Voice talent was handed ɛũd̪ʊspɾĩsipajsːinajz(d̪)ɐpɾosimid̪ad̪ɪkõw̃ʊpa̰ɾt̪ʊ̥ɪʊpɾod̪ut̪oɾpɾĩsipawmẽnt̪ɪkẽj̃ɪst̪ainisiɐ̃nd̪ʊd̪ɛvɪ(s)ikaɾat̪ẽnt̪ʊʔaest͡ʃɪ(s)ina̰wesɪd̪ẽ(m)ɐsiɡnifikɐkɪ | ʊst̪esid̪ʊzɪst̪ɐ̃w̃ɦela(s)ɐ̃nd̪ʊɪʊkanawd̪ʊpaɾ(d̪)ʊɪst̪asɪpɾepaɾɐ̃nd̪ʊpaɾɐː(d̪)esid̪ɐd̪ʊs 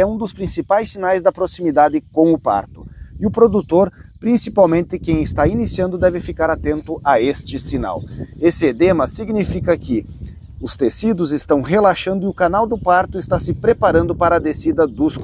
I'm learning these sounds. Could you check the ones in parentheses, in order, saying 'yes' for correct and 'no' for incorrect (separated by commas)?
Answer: yes, no, yes, yes, no, no, yes